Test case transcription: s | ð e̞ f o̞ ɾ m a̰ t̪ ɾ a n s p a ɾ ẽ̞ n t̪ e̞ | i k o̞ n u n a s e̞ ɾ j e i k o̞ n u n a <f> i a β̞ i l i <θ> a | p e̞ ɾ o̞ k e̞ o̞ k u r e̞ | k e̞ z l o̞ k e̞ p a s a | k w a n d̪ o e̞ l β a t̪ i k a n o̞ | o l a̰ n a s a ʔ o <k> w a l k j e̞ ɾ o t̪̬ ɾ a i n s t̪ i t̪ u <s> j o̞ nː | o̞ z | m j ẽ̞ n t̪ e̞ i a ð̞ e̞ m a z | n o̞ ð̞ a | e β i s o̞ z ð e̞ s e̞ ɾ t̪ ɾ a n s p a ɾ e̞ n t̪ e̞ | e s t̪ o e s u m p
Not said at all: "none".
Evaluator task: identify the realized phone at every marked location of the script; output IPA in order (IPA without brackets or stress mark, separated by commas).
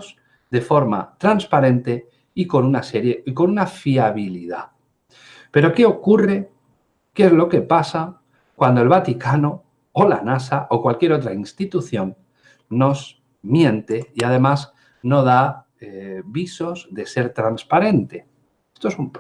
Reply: f, ð, k, θ